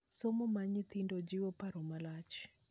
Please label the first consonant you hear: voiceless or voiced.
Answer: voiceless